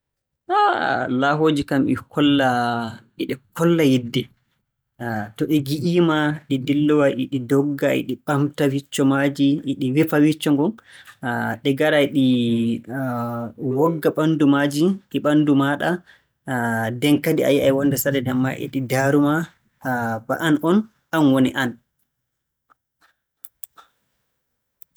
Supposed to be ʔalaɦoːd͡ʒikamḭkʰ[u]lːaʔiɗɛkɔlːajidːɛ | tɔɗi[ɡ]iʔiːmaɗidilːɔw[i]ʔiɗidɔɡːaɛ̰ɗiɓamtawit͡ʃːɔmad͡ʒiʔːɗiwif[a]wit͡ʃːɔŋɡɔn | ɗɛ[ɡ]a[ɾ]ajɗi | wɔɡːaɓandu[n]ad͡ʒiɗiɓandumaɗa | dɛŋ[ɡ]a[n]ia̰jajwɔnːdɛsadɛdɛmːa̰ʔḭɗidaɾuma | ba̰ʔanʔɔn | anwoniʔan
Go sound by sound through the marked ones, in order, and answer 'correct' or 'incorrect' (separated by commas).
incorrect, correct, incorrect, correct, correct, correct, incorrect, incorrect, incorrect